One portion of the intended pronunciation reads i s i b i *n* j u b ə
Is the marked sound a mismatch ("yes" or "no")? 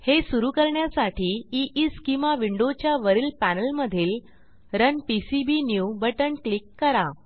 no